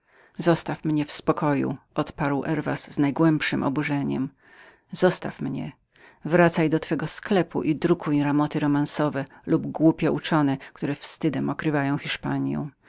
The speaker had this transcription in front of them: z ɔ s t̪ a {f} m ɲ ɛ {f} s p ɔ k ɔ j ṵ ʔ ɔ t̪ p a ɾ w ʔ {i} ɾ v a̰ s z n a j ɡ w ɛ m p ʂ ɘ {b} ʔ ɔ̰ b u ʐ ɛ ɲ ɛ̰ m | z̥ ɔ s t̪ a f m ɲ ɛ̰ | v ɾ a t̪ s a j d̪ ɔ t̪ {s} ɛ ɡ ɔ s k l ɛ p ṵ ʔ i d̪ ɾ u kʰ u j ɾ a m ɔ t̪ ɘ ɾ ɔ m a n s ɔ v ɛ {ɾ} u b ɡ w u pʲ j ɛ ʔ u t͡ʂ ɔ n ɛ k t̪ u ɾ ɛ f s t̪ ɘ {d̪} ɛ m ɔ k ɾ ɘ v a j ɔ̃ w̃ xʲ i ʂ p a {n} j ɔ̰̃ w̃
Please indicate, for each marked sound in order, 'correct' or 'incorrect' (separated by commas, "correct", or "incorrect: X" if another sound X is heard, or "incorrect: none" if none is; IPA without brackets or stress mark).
correct, correct, incorrect: ɛ, incorrect: m, incorrect: f, incorrect: l, correct, incorrect: ɲ